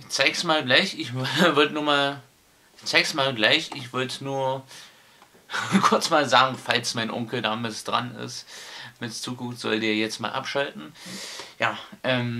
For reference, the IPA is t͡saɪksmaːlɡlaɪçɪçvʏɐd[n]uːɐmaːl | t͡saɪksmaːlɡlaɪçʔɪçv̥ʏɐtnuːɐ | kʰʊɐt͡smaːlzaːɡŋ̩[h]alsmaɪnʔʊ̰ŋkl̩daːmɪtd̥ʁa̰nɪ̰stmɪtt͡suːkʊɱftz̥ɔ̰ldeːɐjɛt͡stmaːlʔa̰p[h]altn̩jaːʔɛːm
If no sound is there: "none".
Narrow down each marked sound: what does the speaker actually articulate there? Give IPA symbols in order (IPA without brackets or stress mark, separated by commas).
n, f, ʃ